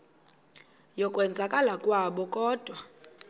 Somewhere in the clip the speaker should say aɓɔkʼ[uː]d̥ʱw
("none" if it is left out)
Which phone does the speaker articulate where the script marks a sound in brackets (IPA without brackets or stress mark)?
ɔː